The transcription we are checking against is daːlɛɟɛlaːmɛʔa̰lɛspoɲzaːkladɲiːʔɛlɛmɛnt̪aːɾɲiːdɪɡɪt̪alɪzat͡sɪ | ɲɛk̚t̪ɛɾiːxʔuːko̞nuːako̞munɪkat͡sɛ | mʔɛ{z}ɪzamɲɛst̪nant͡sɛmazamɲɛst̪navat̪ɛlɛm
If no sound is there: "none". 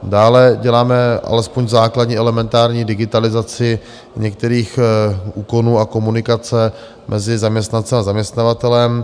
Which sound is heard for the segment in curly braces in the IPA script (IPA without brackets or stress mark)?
z